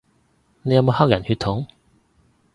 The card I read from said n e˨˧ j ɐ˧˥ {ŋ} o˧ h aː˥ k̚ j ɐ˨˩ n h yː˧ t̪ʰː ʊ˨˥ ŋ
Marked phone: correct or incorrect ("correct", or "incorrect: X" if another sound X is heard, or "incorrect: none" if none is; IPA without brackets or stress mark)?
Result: incorrect: m